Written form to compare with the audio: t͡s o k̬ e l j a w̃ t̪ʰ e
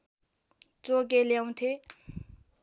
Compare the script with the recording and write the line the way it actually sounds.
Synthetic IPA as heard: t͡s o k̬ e l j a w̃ t̪ʰ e